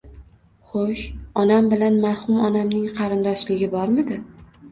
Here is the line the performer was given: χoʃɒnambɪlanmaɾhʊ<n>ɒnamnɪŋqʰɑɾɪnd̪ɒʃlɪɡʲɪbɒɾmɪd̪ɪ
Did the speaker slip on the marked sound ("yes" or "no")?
yes